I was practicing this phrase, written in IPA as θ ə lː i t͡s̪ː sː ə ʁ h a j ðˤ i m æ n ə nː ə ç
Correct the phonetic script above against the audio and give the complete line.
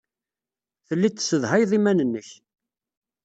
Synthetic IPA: θ ə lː i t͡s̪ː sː ə ð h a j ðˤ i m æ n ə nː ə ç